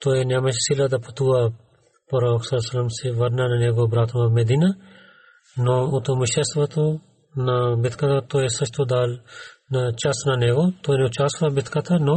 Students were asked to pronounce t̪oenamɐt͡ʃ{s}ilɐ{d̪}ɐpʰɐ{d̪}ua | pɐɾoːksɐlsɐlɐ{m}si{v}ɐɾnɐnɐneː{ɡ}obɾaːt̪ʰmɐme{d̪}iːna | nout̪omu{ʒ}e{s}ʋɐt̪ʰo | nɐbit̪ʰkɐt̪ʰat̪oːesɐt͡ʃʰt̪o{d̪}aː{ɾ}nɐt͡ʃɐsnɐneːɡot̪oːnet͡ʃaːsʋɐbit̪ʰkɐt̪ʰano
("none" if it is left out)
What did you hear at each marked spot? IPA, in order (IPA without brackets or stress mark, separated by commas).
s, d̪, t̪, m, ʋ, ɡ, d̪, ʃ, s, d̪, l